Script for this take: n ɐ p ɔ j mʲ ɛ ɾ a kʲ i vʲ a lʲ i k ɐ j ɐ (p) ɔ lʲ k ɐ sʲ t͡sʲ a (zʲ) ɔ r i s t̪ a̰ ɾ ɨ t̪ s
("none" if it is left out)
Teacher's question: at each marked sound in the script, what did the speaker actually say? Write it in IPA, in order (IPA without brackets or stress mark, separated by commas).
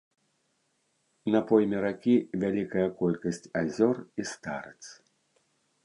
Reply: k, zʲ